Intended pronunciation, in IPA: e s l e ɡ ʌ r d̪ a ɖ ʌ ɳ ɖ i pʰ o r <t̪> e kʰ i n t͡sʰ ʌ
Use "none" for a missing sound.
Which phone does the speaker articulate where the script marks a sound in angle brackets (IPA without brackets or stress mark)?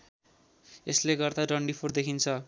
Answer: d̪